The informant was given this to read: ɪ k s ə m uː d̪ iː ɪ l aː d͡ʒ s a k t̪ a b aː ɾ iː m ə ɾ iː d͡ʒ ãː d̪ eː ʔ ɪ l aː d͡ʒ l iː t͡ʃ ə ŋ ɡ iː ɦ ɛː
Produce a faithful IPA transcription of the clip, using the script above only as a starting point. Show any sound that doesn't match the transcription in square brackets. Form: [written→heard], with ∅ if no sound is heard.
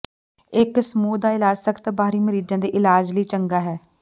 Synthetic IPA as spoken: ɪ k s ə m uː d̪ [iː→aː] ɪ l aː d͡ʒ s [a→ə] k t̪ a b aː ɾ iː m ə ɾ iː d͡ʒ ãː d̪ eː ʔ ɪ l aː d͡ʒ l iː t͡ʃ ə ŋ ɡ [iː→aː] ɦ ɛː